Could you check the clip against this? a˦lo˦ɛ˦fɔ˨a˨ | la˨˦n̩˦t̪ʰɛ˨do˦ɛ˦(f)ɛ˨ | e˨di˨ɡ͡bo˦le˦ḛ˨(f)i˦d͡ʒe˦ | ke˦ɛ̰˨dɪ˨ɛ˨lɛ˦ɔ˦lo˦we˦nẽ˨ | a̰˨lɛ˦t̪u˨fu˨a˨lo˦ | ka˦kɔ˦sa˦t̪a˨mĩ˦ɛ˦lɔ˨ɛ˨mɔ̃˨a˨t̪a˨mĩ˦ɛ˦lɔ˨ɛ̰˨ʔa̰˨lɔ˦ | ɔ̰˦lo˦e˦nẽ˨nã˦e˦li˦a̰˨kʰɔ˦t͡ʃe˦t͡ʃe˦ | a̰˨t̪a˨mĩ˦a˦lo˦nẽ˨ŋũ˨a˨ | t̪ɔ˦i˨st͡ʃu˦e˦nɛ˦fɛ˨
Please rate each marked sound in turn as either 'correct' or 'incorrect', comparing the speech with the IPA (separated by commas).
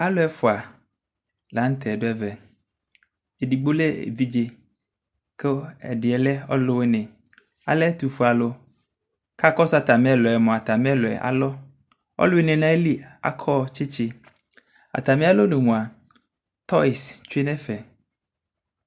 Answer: incorrect, incorrect